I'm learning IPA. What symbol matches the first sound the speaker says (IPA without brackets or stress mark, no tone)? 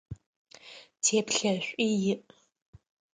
tʰ